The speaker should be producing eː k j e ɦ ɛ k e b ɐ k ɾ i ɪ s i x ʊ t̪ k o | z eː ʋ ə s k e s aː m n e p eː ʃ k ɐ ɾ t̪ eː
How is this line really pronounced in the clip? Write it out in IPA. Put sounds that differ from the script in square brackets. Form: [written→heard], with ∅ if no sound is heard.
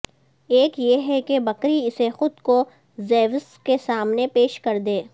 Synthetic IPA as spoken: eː k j e ɦ ɛ k e b ɐ k ɾ i ɪ s [i→e] x ʊ [t̪→d̪] k o | z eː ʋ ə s k e s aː m n e p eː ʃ k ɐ ɾ [t̪→d̪] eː